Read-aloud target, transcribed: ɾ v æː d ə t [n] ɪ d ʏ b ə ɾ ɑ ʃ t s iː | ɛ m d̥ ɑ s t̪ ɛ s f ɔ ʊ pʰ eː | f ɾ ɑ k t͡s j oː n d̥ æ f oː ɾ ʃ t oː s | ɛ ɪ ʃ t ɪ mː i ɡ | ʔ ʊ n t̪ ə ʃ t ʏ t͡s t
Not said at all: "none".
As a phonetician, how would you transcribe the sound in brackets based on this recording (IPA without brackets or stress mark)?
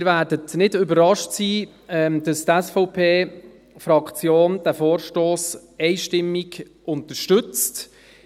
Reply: n